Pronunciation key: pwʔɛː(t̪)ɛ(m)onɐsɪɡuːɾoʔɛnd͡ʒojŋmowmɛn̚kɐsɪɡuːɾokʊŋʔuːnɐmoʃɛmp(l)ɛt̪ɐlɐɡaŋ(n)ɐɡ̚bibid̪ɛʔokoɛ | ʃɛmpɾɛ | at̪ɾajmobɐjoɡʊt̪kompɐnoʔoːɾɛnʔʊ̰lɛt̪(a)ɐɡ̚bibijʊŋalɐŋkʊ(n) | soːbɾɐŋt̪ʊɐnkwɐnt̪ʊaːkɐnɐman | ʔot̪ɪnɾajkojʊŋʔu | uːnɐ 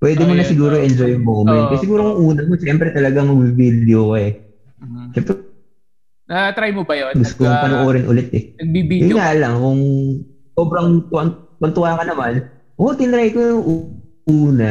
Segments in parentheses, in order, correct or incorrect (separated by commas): incorrect, correct, incorrect, incorrect, incorrect, incorrect